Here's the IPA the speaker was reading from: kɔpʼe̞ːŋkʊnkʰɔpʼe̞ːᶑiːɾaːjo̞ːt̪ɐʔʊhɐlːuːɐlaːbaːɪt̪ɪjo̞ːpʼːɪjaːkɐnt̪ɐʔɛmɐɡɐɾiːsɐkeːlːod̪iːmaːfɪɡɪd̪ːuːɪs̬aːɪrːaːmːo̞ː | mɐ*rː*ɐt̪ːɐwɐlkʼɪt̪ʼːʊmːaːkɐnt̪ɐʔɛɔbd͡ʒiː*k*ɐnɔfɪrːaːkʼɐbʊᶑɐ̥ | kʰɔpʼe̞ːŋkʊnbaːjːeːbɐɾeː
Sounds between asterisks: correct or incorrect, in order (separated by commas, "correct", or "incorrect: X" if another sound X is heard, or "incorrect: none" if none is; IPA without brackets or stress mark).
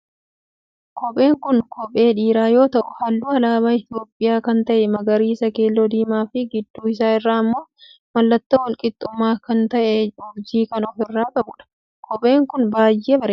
incorrect: lː, correct